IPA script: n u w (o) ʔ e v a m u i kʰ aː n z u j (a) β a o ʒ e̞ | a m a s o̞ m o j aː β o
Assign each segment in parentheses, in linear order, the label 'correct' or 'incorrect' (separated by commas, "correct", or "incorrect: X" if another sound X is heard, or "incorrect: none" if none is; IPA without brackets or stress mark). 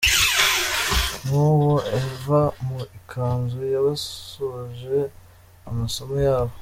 correct, correct